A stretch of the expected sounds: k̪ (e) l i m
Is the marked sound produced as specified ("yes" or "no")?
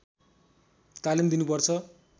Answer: no